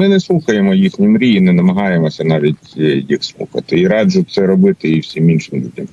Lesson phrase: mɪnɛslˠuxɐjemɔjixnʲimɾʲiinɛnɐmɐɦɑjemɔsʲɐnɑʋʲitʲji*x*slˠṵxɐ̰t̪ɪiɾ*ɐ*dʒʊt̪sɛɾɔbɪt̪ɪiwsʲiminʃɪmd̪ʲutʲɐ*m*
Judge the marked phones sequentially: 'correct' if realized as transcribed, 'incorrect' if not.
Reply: correct, incorrect, correct

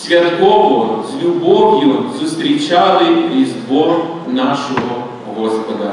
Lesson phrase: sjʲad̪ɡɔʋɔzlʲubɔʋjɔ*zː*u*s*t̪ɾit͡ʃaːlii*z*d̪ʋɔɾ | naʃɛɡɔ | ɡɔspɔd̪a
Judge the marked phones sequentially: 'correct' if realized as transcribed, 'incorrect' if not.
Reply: incorrect, correct, correct

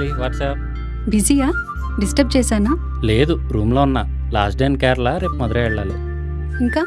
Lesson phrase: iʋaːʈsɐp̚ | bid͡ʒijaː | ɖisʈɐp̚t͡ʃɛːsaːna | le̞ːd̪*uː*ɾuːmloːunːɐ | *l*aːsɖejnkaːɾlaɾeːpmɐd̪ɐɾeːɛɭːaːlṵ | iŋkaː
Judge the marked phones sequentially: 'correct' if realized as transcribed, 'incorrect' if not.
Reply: incorrect, correct

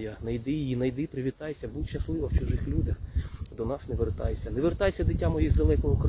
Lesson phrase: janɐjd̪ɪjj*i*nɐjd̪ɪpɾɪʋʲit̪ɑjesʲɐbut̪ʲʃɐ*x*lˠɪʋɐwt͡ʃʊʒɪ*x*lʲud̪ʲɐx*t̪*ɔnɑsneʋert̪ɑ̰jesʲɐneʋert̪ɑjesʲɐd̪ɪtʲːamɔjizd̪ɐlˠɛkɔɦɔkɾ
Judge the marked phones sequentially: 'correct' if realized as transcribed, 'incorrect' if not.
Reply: correct, incorrect, correct, incorrect

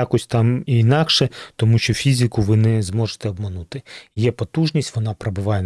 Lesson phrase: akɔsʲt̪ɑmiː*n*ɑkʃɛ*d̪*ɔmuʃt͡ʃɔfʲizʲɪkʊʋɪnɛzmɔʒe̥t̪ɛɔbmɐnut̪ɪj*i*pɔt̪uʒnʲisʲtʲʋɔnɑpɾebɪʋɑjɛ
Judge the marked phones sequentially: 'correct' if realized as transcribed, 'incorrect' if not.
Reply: correct, incorrect, incorrect

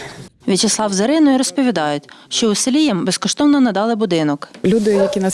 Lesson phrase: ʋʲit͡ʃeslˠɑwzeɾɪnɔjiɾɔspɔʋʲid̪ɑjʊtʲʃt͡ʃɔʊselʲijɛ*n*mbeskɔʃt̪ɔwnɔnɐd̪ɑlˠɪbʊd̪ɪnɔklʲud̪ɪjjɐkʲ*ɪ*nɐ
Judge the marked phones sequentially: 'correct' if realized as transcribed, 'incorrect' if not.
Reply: incorrect, incorrect

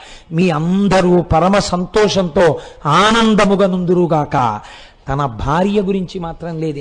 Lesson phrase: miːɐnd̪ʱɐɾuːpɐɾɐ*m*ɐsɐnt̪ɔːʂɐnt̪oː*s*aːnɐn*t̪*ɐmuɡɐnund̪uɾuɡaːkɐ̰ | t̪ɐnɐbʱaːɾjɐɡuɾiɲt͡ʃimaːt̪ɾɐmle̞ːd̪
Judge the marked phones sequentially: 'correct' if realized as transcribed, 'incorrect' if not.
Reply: correct, incorrect, incorrect

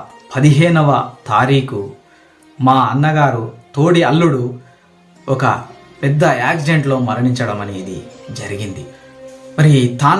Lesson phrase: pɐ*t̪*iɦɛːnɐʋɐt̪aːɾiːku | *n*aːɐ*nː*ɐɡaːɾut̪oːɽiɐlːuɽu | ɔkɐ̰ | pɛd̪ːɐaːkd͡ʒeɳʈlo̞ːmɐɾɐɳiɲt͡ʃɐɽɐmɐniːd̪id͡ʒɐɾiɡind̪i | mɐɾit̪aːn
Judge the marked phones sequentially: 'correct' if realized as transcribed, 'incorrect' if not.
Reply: incorrect, incorrect, correct

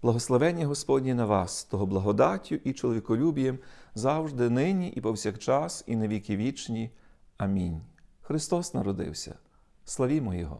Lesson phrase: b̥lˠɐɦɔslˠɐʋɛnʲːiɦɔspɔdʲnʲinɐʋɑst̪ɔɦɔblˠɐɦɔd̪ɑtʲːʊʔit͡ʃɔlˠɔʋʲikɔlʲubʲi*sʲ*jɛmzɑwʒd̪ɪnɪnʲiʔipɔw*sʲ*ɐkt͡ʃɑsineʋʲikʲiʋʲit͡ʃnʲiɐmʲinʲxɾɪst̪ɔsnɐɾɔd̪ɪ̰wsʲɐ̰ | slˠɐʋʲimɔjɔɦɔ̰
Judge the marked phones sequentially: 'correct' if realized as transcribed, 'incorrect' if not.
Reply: incorrect, correct

